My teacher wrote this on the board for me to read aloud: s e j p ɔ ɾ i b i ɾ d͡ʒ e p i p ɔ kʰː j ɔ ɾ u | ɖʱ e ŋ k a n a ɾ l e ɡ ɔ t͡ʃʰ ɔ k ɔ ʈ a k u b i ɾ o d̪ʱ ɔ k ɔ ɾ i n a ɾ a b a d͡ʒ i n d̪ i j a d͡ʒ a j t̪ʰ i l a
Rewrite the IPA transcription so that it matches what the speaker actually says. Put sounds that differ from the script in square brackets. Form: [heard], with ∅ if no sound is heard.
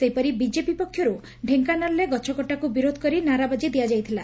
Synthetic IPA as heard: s e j p ɔ ɾ i b i [∅] d͡ʒ e p i p ɔ kʰː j ɔ ɾ u | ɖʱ e ŋ k a n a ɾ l e ɡ ɔ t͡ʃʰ ɔ k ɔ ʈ a k u b i ɾ o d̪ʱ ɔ k ɔ ɾ i n a ɾ a b a d͡ʒ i [∅] d̪ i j a d͡ʒ a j t̪ʰ i l a